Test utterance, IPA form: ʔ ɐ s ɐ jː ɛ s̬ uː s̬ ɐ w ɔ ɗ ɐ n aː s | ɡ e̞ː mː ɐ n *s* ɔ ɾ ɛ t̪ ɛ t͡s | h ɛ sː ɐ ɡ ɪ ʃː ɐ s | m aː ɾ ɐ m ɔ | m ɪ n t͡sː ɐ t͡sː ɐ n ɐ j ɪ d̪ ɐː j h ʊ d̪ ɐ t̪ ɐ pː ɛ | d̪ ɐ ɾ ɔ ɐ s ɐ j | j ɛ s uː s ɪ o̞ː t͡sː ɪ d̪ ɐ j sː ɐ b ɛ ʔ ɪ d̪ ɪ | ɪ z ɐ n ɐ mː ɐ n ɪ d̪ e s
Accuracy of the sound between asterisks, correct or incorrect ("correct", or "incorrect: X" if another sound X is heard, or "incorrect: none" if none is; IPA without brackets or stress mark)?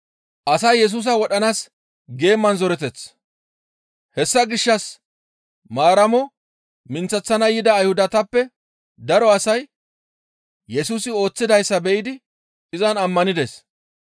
incorrect: z